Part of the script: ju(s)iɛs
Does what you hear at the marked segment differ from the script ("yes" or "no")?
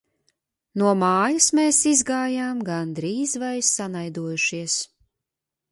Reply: yes